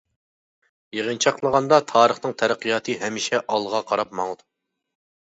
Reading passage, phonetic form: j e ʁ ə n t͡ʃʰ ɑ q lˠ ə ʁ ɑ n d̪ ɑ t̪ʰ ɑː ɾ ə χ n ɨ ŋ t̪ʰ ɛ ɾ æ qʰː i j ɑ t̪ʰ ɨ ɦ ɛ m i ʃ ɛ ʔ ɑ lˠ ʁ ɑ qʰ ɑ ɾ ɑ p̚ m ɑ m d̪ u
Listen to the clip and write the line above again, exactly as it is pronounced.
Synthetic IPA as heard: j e ʁ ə n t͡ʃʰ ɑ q lˠ ə ʁ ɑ n d̪ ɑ t̪ʰ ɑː ɾ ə χ n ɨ ŋ t̪ʰ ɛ ɾ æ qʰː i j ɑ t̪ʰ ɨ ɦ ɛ m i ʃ ɛ ʔ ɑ lˠ ʁ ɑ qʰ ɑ ɾ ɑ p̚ m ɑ ŋ d̪ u